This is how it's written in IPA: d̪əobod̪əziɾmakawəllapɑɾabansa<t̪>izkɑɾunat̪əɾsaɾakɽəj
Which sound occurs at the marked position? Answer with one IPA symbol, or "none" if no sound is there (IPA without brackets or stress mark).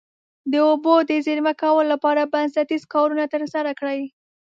t̪